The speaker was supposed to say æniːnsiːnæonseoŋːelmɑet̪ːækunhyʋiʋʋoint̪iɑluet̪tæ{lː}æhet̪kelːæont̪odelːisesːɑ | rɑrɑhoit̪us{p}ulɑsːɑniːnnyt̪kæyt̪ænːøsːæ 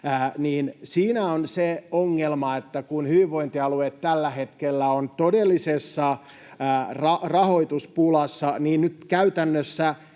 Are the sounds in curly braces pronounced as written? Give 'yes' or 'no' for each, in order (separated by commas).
yes, yes